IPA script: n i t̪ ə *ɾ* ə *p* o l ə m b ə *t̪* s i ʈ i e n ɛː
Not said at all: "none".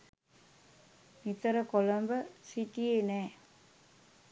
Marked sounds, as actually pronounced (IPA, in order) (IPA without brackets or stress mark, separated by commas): ɾ, k, none